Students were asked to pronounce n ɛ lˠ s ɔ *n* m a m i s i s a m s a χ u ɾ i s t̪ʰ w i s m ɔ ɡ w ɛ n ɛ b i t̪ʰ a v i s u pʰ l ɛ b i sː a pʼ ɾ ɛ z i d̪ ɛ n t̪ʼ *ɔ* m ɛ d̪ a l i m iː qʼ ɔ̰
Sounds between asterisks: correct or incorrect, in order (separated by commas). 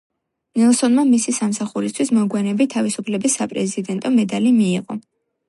correct, correct